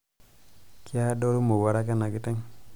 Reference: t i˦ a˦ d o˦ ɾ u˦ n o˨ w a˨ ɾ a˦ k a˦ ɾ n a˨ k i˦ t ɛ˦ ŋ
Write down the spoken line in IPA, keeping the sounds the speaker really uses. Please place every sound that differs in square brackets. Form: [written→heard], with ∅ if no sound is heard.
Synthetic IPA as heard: [t→k] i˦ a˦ d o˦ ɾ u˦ [n→m] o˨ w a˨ ɾ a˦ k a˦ [ɾ→∅] n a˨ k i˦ t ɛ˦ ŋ